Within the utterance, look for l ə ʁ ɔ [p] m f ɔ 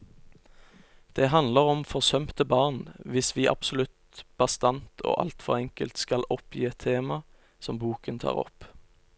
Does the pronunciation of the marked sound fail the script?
yes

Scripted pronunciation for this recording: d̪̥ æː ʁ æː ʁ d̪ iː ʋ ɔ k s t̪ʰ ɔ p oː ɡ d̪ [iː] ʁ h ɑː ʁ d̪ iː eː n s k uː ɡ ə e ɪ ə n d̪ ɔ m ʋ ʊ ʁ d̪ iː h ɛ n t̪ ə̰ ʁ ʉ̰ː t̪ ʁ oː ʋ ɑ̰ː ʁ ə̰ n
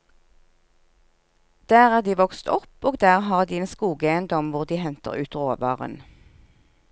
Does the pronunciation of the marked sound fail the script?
yes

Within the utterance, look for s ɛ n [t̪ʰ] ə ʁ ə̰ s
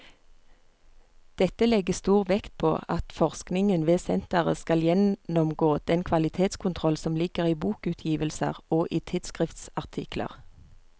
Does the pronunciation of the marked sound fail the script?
yes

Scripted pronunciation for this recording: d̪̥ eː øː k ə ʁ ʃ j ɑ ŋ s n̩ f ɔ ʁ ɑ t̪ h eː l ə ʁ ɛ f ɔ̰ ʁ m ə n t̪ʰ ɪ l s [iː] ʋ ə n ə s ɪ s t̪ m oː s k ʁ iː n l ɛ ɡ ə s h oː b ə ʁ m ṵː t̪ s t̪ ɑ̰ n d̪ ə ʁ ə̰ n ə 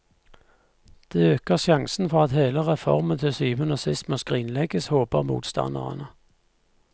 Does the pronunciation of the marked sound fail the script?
yes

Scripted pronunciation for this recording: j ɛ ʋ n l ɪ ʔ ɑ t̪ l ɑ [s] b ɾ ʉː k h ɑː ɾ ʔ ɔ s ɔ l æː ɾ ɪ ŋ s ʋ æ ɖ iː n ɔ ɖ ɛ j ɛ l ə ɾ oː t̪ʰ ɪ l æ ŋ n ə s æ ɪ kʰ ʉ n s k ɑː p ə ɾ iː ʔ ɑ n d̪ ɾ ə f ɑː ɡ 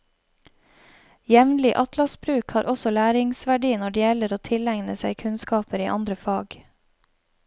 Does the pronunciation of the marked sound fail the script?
no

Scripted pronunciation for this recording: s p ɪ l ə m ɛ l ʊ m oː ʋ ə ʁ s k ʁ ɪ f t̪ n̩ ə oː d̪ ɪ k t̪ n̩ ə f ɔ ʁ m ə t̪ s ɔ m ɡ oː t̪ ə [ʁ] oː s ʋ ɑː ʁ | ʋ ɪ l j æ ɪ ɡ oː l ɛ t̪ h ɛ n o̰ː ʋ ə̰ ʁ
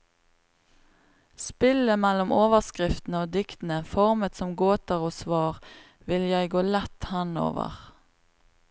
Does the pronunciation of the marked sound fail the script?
no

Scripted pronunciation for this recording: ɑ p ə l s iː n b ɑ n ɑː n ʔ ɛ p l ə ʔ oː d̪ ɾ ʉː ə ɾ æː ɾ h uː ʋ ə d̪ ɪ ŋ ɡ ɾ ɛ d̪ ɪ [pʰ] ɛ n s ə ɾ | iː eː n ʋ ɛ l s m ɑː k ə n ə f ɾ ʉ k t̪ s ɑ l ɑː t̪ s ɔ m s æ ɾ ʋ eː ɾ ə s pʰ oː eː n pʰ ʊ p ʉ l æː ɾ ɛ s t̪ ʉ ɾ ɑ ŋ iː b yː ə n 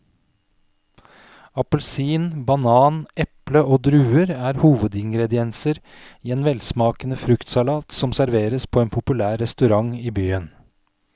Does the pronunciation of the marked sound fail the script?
yes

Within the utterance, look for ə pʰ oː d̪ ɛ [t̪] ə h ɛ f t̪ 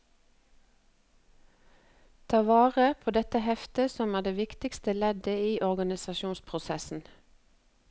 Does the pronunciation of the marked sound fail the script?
no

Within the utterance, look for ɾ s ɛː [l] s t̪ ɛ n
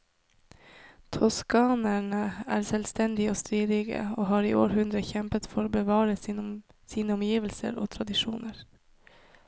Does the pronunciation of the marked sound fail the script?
no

